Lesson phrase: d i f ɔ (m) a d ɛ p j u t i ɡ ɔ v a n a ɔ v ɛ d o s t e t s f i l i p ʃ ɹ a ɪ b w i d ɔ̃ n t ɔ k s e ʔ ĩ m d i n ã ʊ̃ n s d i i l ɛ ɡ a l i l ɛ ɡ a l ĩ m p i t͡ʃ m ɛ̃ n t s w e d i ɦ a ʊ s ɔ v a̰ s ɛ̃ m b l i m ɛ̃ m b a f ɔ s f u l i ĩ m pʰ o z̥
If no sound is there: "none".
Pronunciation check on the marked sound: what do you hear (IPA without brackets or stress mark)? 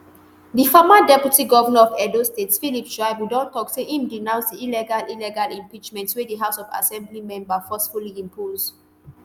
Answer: m